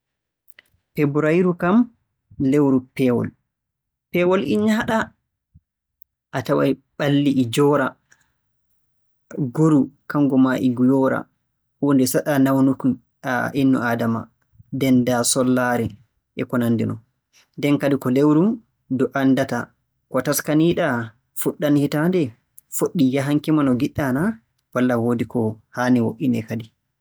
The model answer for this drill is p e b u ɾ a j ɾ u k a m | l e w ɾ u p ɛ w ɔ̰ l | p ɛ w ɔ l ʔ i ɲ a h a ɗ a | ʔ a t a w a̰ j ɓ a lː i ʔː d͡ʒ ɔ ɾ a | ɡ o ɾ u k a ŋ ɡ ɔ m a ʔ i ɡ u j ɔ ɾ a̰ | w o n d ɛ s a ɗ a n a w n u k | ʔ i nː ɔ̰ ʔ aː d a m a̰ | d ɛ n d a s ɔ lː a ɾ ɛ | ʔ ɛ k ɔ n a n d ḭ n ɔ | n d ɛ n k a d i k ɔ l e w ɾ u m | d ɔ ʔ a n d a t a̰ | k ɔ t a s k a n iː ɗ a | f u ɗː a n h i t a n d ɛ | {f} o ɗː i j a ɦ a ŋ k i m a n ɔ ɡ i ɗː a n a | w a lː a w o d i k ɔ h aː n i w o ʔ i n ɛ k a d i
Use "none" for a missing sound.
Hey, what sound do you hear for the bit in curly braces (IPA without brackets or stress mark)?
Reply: f